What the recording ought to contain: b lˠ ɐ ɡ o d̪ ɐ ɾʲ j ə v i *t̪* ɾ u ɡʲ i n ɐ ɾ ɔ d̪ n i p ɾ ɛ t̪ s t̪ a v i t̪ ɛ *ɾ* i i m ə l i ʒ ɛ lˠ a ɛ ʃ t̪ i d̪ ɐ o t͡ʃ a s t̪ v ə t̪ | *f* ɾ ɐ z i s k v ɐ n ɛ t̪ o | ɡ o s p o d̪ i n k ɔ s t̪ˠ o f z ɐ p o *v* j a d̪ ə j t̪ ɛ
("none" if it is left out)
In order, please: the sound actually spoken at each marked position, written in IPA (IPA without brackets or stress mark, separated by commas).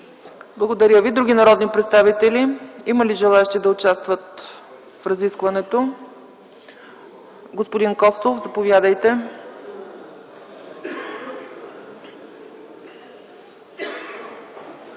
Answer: d̪, l, f, v